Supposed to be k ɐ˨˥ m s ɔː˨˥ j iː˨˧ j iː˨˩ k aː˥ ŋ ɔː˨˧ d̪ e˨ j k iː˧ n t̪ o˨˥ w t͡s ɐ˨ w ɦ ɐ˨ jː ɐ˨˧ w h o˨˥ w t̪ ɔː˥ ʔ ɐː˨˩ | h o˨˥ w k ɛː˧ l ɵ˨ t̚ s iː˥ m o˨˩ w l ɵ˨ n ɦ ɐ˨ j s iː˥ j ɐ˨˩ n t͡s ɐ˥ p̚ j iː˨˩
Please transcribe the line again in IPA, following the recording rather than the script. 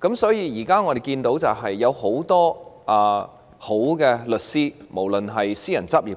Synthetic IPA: k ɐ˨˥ m s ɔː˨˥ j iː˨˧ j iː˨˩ k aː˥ ŋ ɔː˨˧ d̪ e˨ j k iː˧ n t̪ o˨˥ w t͡s ɐ˨ w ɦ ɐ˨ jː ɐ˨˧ w h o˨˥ w t̪ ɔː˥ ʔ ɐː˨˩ | h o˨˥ w k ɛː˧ l ɵ˨ t̚ s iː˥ m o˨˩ w l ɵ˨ n ɦ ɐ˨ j s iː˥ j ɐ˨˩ n t͡s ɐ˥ p̚ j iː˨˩